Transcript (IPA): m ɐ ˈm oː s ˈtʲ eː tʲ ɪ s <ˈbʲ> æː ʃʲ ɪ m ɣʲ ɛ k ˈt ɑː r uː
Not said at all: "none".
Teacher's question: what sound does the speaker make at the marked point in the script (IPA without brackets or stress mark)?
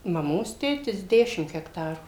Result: dʲ